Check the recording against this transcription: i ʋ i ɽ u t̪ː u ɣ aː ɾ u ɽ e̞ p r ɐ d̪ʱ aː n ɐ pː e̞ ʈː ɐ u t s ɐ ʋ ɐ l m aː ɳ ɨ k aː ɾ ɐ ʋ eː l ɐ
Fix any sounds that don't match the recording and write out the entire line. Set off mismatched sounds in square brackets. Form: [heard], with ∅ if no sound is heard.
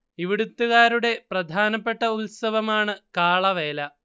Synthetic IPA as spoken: i ʋ i ɽ u t̪ː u ɣ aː ɾ u ɽ e̞ p r ɐ d̪ʱ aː n ɐ pː e̞ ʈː ɐ u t s ɐ ʋ ɐ [∅] m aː ɳ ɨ k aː [ɭ] ɐ ʋ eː l ɐ